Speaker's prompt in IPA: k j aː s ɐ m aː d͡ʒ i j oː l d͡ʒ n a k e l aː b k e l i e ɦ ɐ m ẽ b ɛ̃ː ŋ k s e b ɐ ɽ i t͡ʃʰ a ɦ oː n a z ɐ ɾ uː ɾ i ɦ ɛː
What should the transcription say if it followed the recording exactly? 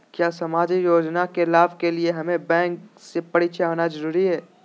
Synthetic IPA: k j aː s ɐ m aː d͡ʒ i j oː d͡ʒ n a k e l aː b k e l i e ɦ ɐ m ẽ b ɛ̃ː ŋ k s e p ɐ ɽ i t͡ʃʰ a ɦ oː n a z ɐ ɾ uː ɾ i ɦ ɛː